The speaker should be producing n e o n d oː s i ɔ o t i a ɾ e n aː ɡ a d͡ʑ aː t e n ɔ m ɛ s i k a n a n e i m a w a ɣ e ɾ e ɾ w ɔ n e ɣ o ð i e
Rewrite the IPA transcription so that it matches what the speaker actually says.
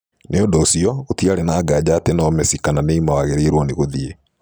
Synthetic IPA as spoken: n e o n d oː s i ɔ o t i a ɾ e n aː ɡ a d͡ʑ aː t e n ɔ m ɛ s i k a n a n e i m a w a ɣ e ɾ e ɾ w ɔ n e ɣ o ð i e